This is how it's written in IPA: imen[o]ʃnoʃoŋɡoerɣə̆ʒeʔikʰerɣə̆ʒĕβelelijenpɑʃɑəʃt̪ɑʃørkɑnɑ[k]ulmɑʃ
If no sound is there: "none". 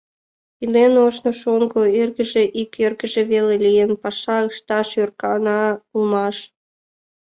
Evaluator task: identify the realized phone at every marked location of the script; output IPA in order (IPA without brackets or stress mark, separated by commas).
o, none